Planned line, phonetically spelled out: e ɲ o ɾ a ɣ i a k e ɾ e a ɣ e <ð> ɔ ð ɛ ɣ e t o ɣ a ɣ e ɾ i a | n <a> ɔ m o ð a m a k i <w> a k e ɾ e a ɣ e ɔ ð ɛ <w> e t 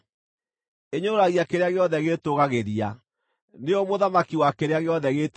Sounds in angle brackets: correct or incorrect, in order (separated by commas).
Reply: incorrect, incorrect, correct, incorrect